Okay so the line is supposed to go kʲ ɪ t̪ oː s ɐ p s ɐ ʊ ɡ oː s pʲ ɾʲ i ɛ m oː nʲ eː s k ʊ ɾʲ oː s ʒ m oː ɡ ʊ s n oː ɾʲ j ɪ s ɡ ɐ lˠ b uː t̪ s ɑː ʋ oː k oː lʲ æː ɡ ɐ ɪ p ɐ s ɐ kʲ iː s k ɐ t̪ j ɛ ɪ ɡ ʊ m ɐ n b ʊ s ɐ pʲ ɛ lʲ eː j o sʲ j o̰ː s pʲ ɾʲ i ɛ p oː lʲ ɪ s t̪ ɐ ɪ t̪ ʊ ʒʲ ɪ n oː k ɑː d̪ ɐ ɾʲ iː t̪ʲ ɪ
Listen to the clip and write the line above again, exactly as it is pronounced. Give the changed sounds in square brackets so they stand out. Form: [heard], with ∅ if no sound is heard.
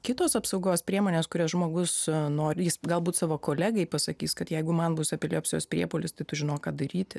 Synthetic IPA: kʲ ɪ t̪ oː s ɐ p s ɐ ʊ ɡ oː s pʲ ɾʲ i ɛ m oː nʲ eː s k ʊ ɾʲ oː s ʒ m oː ɡ ʊ s n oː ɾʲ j ɪ s ɡ ɐ lˠ b uː t̪ s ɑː ʋ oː k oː lʲ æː ɡ ɐ ɪ p ɐ s ɐ kʲ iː s k ɐ t̪ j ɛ ɪ ɡ ʊ m ɐ n b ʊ s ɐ pʲ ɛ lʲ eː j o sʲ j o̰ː s pʲ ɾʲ i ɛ p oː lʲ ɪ s t̪ ɐ ɪ t̪ ʊ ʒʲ ɪ n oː k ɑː d̪ ɐ ɾʲ iː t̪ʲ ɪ